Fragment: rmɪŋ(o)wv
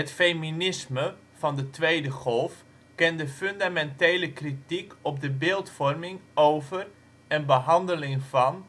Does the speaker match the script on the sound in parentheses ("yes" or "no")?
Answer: yes